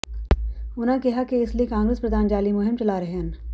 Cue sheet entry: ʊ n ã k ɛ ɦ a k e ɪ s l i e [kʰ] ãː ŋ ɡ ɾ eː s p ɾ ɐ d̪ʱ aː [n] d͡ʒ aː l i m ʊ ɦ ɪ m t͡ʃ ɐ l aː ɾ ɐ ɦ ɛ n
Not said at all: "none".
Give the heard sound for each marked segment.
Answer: k, n

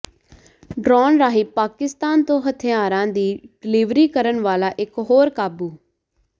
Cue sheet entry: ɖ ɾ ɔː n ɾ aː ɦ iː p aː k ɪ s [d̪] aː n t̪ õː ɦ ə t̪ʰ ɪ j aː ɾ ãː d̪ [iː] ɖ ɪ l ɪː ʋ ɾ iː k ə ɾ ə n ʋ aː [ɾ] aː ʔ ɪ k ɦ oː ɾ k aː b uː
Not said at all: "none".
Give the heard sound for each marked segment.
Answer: t̪, iː, l

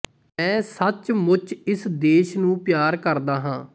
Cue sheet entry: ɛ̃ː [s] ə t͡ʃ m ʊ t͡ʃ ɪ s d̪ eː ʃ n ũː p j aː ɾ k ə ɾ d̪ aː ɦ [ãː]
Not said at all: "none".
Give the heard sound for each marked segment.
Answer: s, ãː

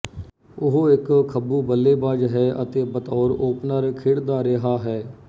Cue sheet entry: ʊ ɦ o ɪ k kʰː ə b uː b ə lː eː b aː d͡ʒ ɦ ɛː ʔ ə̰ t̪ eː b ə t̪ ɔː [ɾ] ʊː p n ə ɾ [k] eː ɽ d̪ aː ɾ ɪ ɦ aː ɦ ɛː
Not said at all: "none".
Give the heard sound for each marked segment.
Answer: ɾ, kʰ

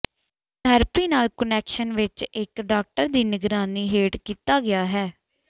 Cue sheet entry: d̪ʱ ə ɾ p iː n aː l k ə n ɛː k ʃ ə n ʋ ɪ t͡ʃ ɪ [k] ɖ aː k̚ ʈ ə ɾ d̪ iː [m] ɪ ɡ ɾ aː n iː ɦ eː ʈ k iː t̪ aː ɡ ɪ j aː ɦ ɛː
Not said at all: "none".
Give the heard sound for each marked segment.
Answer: k, n

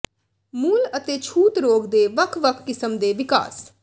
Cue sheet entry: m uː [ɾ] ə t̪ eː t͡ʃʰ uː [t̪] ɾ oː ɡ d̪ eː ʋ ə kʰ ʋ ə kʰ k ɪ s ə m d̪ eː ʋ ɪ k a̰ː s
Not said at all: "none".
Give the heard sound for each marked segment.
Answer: l, t̪

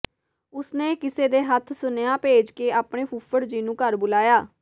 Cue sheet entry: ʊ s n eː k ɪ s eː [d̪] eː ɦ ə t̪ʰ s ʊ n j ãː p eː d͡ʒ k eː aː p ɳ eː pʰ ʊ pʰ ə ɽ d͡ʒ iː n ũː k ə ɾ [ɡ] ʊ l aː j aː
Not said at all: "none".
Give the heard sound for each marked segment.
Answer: d̪, b

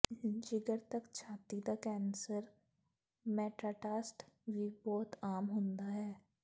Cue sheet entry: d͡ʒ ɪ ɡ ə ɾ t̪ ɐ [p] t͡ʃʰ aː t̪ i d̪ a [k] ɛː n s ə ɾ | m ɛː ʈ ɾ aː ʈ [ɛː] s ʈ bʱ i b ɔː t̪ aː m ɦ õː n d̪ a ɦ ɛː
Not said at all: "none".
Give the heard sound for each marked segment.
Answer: k, k, aː

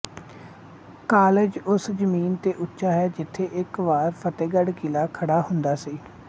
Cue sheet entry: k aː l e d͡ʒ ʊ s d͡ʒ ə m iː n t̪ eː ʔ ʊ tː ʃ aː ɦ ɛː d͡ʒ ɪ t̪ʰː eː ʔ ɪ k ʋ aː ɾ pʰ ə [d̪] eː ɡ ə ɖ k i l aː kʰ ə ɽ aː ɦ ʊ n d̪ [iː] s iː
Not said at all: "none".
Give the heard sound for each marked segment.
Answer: t̪, aː

